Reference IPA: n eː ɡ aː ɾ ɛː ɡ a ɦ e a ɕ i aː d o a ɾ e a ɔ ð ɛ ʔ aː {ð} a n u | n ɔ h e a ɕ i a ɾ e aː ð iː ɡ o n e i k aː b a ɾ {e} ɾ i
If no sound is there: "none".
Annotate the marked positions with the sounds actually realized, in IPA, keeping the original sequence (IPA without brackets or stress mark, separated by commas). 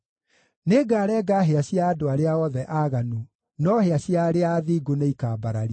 ɣ, a